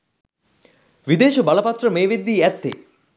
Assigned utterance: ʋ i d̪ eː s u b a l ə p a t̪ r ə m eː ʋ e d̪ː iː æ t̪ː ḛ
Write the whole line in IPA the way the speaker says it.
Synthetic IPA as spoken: ʋ i d̪ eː ʃ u b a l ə p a t̪ r ə m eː ʋ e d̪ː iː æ t̪ː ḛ